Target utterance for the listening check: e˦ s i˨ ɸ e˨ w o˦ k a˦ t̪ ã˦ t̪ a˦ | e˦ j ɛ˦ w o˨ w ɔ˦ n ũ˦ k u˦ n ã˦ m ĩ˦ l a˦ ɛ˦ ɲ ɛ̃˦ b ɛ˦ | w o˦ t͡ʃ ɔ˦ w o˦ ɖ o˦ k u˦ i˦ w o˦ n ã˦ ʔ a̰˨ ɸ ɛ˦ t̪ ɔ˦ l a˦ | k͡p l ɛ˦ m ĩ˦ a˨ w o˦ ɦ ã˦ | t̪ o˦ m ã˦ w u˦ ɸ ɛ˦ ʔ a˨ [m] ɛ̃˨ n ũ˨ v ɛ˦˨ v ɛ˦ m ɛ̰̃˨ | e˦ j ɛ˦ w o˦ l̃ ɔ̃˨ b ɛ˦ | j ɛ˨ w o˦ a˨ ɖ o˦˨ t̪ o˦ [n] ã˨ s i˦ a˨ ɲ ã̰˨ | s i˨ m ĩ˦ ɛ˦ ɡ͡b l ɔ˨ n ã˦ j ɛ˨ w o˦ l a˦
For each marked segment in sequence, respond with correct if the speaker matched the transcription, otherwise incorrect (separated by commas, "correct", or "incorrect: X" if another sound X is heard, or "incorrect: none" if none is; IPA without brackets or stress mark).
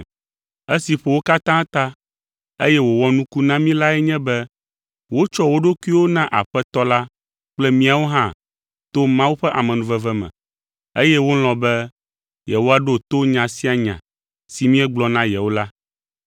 correct, incorrect: ɲ